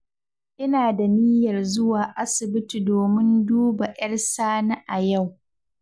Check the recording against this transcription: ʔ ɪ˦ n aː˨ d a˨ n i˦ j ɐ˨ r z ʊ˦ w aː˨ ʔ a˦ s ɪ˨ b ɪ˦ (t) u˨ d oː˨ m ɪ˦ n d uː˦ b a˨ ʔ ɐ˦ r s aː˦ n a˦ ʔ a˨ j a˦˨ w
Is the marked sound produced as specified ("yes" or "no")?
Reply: yes